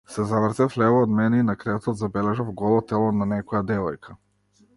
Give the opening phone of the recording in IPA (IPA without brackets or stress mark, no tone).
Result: s